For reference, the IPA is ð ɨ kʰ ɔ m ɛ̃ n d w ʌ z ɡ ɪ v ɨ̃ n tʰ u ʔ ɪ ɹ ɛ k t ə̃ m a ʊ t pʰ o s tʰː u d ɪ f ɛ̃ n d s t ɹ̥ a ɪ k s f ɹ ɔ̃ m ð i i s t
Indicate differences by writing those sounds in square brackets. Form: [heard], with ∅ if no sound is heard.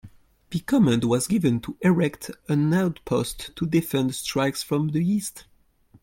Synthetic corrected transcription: ð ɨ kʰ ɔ m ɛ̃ n d w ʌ z ɡ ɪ v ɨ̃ n tʰ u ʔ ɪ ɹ ɛ k t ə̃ [n] a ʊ t pʰ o s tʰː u d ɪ f ɛ̃ n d s t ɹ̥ a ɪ k s f ɹ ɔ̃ m ð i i s t